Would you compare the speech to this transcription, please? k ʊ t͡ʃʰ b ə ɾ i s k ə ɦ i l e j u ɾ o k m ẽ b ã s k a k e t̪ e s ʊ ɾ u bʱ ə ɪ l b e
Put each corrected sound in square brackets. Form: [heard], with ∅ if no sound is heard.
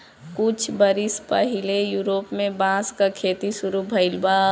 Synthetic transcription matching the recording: k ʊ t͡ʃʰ b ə ɾ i s [p] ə ɦ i l e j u ɾ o [p] m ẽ b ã s k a [kʰ] e t̪ [i] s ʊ ɾ u bʱ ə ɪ l b [a]